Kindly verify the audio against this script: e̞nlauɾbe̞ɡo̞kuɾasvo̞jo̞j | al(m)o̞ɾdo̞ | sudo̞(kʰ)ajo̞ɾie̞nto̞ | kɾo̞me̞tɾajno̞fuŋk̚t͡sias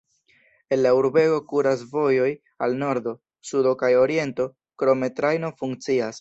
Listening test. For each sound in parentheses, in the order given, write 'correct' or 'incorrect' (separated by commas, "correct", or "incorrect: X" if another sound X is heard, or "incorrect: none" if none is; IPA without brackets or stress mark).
incorrect: n, incorrect: k